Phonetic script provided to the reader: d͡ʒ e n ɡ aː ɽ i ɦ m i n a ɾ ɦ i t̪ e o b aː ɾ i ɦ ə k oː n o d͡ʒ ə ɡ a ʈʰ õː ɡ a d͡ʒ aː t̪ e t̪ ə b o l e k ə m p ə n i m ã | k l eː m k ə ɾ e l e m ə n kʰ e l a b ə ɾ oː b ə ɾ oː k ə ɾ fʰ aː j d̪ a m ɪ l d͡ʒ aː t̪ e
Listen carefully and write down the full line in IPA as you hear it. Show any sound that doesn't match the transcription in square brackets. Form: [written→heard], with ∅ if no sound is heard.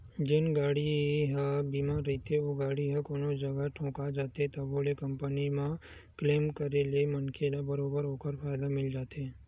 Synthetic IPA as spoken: d͡ʒ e n ɡ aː ɽ i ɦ [m→b] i [n→m] a ɾ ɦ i t̪ e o [b→ɡ] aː [ɾ→ɽ] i ɦ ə k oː n o d͡ʒ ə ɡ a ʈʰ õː [ɡ→k] a d͡ʒ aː t̪ e t̪ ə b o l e k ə m p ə n i m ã | k l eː m k ə ɾ e l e m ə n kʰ e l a b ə ɾ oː b ə ɾ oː k ə ɾ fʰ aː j d̪ a m ɪ l d͡ʒ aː t̪ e